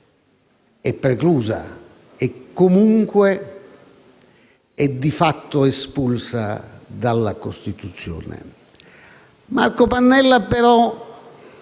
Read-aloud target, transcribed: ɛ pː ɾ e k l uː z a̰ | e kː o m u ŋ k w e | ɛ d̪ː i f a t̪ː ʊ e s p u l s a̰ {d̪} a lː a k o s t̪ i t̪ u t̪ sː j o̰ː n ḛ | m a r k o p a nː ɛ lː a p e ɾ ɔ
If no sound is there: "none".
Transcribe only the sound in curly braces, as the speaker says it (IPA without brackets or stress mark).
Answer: d̪